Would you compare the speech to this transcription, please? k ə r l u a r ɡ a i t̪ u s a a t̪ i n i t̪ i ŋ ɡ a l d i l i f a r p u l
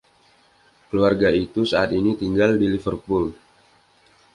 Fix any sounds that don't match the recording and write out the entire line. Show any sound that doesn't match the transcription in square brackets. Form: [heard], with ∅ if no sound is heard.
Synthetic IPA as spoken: k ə [∅] l u a r ɡ a i t̪ u s a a t̪ i n i t̪ i ŋ ɡ a l d i l i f [ə] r p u l